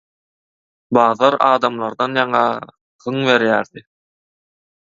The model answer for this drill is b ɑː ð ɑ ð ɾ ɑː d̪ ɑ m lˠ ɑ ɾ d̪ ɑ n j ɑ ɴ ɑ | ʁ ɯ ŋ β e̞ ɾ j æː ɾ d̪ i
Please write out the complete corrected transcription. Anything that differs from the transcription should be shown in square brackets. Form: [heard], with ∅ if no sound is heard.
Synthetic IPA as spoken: b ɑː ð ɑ [∅] ɾ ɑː d̪ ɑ m lˠ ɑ ɾ d̪ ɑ n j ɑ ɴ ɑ | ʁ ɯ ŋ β e̞ ɾ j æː ɾ d̪ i